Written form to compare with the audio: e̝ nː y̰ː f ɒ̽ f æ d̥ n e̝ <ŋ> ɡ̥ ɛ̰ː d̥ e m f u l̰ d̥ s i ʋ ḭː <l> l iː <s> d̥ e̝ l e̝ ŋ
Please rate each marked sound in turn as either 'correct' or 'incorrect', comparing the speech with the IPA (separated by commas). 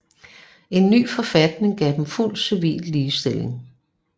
correct, correct, correct